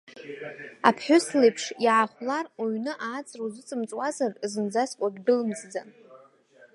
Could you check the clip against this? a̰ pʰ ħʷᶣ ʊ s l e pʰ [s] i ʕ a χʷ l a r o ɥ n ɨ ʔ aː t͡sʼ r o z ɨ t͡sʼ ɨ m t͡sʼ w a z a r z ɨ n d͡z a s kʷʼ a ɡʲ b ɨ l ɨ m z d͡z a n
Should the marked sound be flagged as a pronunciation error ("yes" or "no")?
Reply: yes